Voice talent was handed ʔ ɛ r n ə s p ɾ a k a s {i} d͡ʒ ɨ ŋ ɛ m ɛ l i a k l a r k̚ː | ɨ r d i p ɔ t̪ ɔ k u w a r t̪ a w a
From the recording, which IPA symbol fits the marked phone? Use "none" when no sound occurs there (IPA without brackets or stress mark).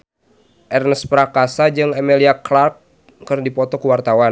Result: a